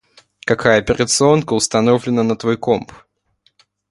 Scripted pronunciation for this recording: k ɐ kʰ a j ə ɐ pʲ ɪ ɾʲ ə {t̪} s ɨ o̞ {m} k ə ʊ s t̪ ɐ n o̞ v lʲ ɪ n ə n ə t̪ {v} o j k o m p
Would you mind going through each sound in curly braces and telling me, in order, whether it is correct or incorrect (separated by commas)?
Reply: correct, incorrect, correct